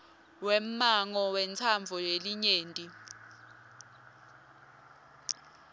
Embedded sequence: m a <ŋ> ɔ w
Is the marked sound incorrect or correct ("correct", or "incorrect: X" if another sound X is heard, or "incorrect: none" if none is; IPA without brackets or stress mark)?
correct